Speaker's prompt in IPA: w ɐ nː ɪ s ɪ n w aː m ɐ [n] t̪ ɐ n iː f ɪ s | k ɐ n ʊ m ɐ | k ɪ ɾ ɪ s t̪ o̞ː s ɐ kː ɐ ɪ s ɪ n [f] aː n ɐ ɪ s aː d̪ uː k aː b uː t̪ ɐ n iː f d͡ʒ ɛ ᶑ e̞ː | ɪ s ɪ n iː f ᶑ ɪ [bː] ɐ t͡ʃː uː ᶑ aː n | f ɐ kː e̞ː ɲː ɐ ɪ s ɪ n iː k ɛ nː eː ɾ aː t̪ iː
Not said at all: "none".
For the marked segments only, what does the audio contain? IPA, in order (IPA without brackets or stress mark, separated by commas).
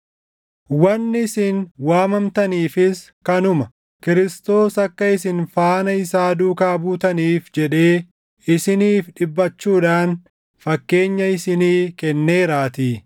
m, f, bː